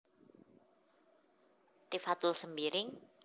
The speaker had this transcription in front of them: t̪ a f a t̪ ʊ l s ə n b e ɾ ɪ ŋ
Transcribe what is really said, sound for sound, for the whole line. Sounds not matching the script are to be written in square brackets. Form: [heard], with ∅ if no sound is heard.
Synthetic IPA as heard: t̪ [i] f a t̪ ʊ l s ə [m] b [i] ɾ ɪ ŋ